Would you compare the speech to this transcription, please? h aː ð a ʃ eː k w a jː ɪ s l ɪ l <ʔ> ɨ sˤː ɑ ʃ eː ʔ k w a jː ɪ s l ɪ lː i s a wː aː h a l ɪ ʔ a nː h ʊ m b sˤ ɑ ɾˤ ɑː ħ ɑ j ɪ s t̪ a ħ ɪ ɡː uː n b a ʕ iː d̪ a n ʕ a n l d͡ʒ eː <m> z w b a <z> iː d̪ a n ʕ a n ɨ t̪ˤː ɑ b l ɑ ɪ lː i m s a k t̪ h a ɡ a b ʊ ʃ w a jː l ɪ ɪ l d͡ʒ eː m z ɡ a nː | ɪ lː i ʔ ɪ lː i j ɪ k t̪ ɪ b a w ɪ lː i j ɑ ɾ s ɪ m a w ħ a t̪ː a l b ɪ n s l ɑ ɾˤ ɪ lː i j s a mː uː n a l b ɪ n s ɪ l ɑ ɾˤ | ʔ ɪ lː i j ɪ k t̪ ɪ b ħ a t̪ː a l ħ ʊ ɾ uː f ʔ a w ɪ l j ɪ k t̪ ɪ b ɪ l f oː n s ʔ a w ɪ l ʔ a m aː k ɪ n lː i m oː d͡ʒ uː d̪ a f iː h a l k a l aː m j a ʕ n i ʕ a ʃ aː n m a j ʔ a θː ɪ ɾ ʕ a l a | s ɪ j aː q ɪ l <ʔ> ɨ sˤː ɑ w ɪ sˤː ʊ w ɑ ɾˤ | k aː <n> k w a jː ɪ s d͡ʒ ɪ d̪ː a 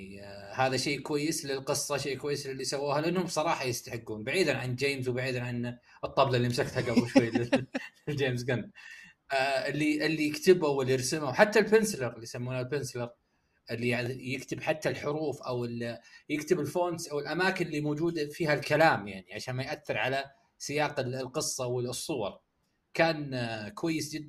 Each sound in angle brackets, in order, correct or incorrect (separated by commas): incorrect, correct, incorrect, incorrect, correct